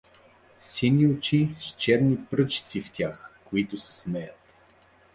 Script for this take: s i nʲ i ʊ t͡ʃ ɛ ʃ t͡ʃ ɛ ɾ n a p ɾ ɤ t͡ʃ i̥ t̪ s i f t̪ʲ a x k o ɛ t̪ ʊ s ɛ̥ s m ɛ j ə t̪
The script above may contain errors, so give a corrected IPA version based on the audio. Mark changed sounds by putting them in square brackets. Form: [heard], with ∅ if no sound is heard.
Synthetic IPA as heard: s i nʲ i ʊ t͡ʃ [i] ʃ t͡ʃ ɛ ɾ n [i] p ɾ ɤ t͡ʃ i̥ t̪ s i f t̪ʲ a x k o [i] t̪ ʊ s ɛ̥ s m ɛ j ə t̪